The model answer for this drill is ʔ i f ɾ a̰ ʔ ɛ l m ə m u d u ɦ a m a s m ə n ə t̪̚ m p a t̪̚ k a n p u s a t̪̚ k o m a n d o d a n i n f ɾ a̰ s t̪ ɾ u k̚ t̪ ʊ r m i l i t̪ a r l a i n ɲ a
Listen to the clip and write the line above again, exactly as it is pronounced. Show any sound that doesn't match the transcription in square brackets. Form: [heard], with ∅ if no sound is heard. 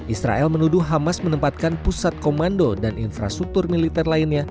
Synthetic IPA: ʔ i [s] ɾ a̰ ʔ ɛ l m ə [n] u d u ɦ a m a s m ə n ə [∅] m p a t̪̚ k a n p u s a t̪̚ k o m a n d o d a n i n f ɾ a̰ s t̪ ɾ u k̚ t̪ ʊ r m i l i t̪ [ɛ] r l a i n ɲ a